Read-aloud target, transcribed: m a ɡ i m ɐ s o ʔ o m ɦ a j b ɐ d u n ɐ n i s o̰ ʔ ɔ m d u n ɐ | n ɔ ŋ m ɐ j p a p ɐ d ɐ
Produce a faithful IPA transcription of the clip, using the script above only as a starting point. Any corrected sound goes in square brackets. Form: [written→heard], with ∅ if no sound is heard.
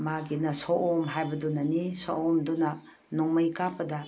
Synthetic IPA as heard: m a ɡ i [m→n] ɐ s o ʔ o m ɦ a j b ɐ d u n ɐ n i s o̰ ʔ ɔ m d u n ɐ | n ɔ ŋ m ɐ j [p→k] a p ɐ d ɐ